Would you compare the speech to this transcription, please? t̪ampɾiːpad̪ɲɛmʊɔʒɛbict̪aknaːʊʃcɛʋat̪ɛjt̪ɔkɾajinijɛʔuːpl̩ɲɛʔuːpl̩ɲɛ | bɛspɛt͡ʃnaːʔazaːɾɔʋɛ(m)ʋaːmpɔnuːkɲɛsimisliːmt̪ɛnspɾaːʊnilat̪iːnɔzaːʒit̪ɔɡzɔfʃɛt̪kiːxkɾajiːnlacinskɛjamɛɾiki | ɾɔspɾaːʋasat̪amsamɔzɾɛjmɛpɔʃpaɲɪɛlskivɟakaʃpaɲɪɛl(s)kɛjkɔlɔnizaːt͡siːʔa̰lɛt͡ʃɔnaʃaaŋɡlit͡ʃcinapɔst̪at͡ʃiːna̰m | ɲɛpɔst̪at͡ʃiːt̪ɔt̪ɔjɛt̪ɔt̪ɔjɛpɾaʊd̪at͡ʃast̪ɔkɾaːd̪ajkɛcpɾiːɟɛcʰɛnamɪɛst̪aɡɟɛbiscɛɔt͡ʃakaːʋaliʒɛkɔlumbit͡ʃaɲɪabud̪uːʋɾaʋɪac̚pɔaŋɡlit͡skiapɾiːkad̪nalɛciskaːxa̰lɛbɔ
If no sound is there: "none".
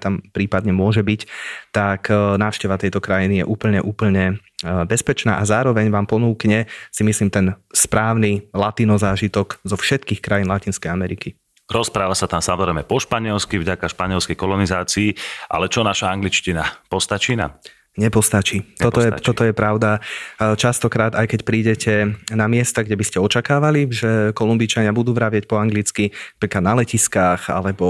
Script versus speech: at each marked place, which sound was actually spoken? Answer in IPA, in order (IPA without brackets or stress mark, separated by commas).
ɲ, s